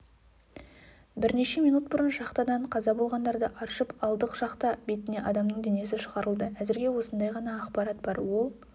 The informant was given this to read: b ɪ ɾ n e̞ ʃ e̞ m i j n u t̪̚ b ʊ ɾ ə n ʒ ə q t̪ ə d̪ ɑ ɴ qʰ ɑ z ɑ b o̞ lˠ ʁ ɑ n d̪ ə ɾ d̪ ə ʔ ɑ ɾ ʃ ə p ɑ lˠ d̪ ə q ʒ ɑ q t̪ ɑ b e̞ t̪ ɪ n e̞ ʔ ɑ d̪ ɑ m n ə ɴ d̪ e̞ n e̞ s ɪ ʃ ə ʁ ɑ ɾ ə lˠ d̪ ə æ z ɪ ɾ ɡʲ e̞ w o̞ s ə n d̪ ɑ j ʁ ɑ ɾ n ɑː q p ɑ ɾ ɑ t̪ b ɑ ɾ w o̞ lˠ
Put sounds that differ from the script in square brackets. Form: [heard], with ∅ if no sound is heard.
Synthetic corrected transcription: b ɪ ɾ n e̞ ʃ e̞ m i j n u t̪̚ b ʊ ɾ ə n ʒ [ɑ] q t̪ [ɑ] d̪ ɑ ɴ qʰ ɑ z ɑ b o̞ lˠ ʁ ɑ n d̪ [ɑ] ɾ d̪ ə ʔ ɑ ɾ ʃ ə p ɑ lˠ d̪ ə q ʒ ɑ q t̪ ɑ b e̞ t̪ ɪ n e̞ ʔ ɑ d̪ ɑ m n ə ɴ d̪ e̞ n e̞ s ɪ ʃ ə ʁ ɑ ɾ ə lˠ d̪ ə æ z ɪ ɾ ɡʲ e̞ w o̞ s ə n d̪ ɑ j ʁ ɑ [∅] n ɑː q p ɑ ɾ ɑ t̪ b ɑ ɾ w o̞ lˠ